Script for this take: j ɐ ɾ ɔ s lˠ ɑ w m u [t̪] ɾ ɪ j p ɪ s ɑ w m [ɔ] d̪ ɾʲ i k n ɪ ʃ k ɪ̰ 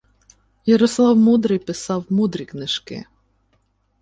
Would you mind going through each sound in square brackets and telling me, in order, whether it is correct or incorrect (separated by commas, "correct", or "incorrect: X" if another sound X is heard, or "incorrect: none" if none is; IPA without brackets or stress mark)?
incorrect: d̪, incorrect: u